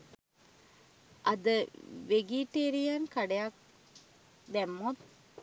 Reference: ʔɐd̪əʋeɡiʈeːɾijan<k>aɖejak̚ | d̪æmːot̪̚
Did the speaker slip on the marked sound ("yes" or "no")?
no